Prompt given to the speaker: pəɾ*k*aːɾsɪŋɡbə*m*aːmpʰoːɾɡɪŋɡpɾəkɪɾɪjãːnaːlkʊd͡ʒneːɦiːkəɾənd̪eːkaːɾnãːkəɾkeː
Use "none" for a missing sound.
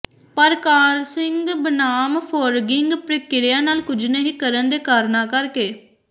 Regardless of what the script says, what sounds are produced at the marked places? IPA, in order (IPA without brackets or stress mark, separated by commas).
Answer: k, n